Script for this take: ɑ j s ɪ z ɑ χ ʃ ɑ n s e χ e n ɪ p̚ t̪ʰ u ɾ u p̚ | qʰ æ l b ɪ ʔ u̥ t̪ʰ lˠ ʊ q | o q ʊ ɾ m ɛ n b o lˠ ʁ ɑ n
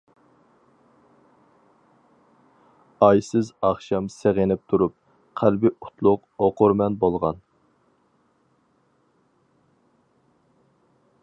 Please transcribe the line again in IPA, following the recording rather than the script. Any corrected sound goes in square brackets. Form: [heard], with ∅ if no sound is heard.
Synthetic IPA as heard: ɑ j s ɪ z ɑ χ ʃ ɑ [m] s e [ʁ] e n ɪ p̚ t̪ʰ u ɾ u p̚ | qʰ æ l b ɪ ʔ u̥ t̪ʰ lˠ ʊ q | o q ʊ ɾ m ɛ n b o lˠ ʁ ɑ n